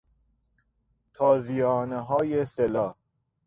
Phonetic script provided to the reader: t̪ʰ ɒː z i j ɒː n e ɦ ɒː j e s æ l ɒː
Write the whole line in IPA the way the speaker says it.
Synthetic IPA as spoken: t̪ʰ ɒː z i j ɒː n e ɦ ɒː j e s e l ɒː